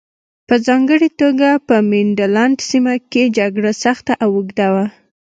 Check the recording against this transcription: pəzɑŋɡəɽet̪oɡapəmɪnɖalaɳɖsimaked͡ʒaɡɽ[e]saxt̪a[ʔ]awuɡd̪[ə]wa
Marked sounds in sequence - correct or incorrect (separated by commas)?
incorrect, correct, incorrect